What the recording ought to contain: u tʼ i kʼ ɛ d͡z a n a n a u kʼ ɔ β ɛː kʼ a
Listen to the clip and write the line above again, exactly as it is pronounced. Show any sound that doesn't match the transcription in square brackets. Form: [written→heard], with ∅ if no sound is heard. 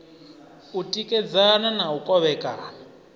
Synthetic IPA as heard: u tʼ i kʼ ɛ d͡z a n a n a u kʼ ɔ β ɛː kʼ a